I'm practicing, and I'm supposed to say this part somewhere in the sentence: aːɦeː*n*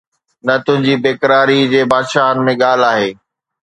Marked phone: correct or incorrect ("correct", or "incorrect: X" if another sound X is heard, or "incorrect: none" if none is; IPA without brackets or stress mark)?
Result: incorrect: none